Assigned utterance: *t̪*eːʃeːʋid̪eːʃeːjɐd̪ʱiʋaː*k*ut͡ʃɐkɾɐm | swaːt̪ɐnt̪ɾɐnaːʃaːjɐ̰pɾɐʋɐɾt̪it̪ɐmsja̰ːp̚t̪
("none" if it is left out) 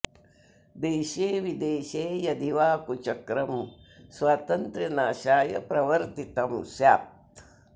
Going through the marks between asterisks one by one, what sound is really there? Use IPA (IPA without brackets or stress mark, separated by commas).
d̪, k